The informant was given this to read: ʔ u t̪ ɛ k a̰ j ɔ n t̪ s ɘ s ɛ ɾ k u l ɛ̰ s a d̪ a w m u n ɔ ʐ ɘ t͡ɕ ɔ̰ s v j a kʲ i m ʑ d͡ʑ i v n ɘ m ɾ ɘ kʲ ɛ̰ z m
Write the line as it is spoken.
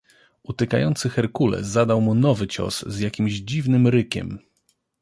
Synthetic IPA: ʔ u t̪ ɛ k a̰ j ɔ n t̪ s ɘ x ɛ ɾ k u l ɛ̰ z a d̪ a w m u n ɔ v ɘ t͡ɕ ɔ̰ s z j a kʲ i m ʑ d͡ʑ i v n ɘ m ɾ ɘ kʲ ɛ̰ m